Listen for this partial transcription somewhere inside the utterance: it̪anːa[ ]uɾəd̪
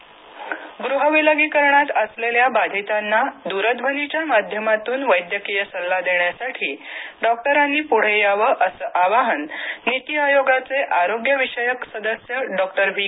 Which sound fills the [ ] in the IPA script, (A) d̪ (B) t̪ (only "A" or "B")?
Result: A